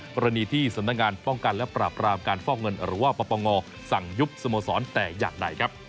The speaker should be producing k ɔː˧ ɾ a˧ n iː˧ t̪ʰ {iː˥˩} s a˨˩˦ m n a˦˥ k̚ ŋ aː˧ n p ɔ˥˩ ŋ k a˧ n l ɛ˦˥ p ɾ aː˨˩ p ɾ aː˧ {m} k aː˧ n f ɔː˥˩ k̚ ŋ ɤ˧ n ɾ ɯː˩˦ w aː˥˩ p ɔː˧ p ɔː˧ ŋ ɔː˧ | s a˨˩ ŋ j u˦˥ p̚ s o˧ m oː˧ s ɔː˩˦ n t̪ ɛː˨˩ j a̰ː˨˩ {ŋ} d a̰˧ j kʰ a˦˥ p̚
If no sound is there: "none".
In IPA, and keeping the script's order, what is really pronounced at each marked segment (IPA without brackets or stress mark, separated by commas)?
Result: iː˥˩, m, ŋ